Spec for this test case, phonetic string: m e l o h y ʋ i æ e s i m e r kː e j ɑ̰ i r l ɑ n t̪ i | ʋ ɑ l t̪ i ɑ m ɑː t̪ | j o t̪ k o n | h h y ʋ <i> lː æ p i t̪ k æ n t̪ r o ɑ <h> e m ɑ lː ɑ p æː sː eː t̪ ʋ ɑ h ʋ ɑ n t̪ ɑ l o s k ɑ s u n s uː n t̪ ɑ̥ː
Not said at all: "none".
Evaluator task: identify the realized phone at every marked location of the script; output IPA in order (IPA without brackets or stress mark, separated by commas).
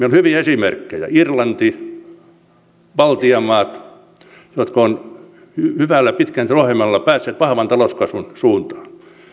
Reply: æ, h